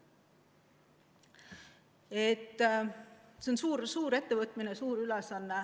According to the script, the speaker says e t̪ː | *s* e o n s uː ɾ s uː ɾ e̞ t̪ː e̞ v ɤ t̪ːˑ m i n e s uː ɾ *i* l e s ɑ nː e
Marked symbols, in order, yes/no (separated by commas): yes, no